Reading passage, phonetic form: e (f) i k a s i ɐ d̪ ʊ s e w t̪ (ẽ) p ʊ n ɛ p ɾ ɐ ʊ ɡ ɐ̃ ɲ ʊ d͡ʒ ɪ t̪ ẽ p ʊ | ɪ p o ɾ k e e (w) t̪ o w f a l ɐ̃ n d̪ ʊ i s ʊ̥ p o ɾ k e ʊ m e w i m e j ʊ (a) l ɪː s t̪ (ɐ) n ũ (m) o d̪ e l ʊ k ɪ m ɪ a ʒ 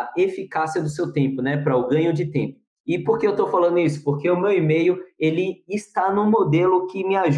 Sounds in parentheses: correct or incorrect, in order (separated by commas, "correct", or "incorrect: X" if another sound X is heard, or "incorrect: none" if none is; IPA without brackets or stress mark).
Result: correct, correct, correct, incorrect: e, incorrect: a, correct